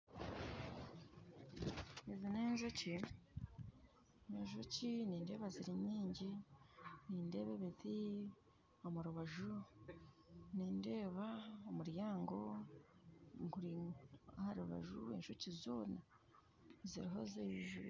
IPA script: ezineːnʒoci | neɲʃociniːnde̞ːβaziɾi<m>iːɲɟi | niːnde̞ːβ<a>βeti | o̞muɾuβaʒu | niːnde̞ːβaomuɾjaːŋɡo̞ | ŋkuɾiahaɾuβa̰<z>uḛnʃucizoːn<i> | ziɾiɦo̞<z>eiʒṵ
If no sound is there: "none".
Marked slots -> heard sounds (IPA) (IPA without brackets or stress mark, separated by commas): ɲ, e, ʒ, a, z